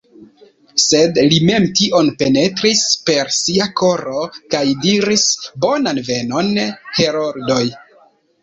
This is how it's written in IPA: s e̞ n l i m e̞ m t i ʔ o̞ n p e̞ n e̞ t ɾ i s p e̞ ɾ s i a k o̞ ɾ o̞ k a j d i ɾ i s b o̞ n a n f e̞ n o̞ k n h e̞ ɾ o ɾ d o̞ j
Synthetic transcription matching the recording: s e̞ d l i m e̞ m t i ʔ o̞ n p e̞ n e̞ t ɾ i s p e̞ ɾ s i a k o̞ ɾ o̞ k a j d i ɾ i s b o̞ n a n v e̞ n o̞ n h e̞ ɾ o ɾ d o̞ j